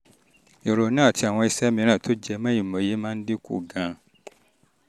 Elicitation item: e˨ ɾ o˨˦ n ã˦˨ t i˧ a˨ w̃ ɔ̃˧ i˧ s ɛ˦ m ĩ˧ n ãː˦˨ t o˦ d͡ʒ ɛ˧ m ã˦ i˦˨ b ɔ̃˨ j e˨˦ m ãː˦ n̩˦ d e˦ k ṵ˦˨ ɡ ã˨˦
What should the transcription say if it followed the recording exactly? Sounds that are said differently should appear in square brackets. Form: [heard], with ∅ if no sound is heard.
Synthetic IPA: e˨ ɾ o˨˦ n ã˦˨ t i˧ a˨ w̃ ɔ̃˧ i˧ s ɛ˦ m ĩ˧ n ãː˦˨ t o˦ d͡ʒ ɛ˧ m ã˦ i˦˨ [m] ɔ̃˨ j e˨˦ m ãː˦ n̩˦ d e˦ k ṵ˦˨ ɡ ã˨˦

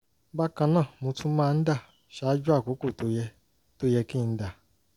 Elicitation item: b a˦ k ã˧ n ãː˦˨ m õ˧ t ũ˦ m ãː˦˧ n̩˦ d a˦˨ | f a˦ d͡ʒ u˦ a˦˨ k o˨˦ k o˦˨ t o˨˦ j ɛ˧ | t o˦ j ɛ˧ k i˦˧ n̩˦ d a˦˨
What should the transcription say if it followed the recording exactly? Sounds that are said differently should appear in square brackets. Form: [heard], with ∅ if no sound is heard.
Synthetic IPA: b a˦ k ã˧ n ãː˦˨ m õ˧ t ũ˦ m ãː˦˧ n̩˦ d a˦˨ | [ʃ] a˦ d͡ʒ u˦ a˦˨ k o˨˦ k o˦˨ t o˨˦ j ɛ˧ | t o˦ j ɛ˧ k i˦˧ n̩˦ d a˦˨

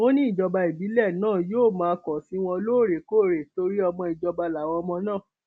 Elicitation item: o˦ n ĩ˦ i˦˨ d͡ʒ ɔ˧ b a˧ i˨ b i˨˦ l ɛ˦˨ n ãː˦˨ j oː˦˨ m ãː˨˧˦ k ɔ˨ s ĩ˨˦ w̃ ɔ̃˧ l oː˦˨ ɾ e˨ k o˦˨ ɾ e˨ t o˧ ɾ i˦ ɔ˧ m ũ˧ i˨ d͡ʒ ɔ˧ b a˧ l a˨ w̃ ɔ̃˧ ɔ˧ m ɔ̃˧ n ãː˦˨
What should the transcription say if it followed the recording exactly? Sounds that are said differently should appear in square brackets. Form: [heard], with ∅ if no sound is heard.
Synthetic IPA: o˦ n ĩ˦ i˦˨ d͡ʒ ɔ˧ b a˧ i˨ b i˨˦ l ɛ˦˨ n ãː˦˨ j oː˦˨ m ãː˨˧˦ k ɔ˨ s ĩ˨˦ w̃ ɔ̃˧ l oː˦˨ ɾ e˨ k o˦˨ ɾ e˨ t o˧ ɾ i˦ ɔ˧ m [ɔ̃˧] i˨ d͡ʒ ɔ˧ b a˧ l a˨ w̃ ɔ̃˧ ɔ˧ m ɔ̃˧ n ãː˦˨

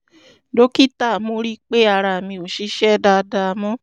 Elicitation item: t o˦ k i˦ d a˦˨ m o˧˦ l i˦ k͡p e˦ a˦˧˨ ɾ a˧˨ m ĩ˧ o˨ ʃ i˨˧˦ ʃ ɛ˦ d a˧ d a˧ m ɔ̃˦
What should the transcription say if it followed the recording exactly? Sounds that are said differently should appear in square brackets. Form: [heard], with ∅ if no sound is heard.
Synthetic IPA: [d] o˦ k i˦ [t] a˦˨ m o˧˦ [ɾ] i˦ k͡p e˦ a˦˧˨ ɾ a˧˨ m ĩ˧ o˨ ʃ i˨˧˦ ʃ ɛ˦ d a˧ d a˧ m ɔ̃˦

